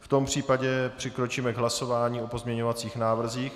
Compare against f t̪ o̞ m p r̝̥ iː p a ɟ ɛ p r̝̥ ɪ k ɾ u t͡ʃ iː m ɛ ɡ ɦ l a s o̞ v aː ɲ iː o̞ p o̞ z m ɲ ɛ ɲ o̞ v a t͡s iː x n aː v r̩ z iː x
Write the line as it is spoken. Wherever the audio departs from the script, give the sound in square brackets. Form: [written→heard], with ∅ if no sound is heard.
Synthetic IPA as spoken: f t̪ o̞ m p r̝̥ iː p a ɟ ɛ p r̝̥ ɪ k ɾ [u→o] t͡ʃ iː m ɛ ɡ ɦ l a s o̞ v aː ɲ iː o̞ p o̞ z m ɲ ɛ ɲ o̞ v a t͡s iː x n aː v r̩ z iː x

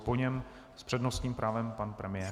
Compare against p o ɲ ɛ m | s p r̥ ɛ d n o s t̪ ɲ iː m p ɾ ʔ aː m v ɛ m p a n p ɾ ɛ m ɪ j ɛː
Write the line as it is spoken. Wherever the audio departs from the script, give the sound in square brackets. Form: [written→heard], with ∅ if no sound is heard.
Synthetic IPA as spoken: p o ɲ ɛ m | s p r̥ ɛ d n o s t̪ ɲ iː m p ɾ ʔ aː [m→∅] v ɛ m p a n p ɾ ɛ m ɪ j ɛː

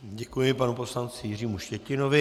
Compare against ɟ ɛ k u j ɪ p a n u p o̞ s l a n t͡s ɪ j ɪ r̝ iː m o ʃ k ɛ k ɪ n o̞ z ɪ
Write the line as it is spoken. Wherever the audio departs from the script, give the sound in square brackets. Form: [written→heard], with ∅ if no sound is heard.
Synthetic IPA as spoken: ɟ ɛ k u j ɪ p a n u p o̞ s l a n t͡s ɪ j ɪ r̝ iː m [o→u] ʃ [k→c] ɛ [k→c] ɪ n o̞ [z→v] ɪ

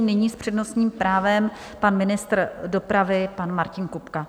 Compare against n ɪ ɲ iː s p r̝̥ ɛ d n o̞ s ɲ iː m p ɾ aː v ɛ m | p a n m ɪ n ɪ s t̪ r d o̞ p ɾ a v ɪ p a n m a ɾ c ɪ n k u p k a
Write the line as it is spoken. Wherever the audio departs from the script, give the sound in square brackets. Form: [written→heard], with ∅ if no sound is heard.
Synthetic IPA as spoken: n ɪ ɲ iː s p r̝̥ ɛ d n o̞ s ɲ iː m p ɾ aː v ɛ m | p a n m ɪ n ɪ s t̪ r d o̞ p ɾ a v ɪ p a n m a ɾ c ɪ n k u p k a

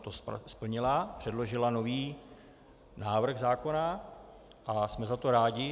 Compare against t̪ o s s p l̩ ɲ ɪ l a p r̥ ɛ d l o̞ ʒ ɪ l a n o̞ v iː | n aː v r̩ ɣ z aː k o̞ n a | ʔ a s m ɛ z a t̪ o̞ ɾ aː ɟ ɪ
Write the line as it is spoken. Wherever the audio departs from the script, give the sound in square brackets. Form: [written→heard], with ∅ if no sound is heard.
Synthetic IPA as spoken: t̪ o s s p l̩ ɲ ɪ l a p r̥ ɛ d l o̞ ʒ ɪ l a n o̞ v iː | n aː v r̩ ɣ z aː k o̞ n a | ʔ a s m ɛ z a t̪ o̞ ɾ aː ɟ ɪ

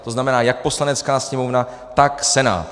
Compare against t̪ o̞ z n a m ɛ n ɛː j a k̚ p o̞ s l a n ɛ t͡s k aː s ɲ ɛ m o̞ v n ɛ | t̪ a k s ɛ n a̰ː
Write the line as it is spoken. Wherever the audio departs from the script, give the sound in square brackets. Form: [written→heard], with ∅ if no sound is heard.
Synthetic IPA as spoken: t̪ o̞ z n a m ɛ n [ɛː→aː] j a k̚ p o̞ s l a n ɛ t͡s k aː s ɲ ɛ m o̞ v n [ɛ→a] | t̪ a k s ɛ n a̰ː

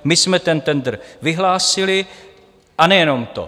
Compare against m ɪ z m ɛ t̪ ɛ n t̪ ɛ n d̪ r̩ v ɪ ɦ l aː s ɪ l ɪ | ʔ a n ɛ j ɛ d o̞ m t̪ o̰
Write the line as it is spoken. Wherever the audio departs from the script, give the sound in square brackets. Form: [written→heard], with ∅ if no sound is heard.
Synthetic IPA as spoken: m ɪ [z→s] m ɛ t̪ ɛ n t̪ ɛ n d̪ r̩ v ɪ ɦ l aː s ɪ l ɪ | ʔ a n ɛ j ɛ [d→n] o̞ m t̪ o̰

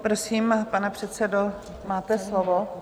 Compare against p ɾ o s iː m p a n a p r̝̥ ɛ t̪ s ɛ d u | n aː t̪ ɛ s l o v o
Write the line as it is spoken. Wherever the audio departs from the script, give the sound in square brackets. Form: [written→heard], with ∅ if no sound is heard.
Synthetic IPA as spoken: p ɾ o s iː m p a n [a→ɛ] p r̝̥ ɛ t̪ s ɛ d [u→o] | [n→m] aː t̪ ɛ s l o v o

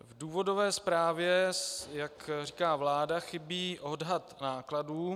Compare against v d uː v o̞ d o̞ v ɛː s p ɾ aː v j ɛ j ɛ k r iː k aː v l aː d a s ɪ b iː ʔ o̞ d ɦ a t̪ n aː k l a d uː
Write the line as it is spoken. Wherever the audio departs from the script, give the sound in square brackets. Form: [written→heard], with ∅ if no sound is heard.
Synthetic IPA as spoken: v d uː v o̞ d o̞ v ɛː s p ɾ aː v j ɛ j [ɛ→a] k r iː k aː v l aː d a [s→x] ɪ b iː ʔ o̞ d ɦ a t̪ n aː k l a d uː

